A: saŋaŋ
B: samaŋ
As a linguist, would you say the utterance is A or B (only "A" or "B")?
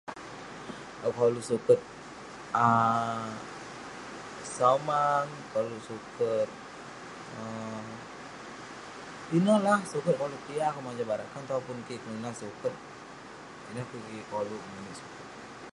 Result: B